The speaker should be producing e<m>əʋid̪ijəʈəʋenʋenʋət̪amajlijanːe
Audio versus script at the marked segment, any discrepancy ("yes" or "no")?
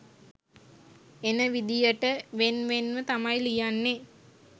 yes